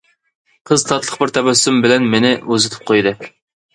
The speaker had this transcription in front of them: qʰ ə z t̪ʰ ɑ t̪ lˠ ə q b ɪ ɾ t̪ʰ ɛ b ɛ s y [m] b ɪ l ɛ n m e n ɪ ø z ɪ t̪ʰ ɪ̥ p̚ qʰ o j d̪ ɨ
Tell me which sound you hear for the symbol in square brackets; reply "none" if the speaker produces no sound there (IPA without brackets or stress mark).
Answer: m